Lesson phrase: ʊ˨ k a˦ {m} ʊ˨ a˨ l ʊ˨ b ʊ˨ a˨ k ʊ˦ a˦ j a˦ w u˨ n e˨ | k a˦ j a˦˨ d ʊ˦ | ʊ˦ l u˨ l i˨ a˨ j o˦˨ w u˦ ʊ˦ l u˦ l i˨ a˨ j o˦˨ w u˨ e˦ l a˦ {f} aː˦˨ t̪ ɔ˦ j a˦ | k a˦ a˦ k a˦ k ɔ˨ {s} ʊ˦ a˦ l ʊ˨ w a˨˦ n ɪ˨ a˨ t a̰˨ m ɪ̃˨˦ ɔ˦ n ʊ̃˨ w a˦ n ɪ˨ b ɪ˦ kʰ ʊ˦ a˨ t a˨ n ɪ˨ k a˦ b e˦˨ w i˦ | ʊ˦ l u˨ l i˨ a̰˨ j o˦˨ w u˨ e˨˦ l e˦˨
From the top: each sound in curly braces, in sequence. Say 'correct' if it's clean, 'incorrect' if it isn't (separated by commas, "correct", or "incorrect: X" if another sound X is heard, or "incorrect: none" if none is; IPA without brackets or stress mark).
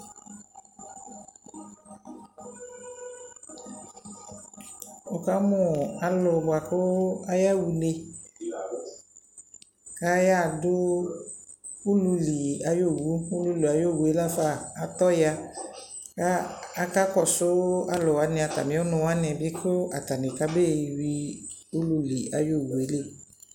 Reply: correct, correct, correct